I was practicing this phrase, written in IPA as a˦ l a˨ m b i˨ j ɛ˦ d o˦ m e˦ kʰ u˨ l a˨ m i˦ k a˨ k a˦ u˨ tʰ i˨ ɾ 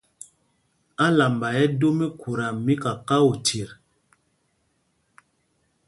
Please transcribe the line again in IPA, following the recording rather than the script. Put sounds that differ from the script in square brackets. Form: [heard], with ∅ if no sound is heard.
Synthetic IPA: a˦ l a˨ m b [a˨] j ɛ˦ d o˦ m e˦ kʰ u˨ [ɾ] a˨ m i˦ k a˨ k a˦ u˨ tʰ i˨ ɾ